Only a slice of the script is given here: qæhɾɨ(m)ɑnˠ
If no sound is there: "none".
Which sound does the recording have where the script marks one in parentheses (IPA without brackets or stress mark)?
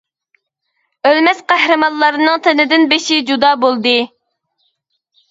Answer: m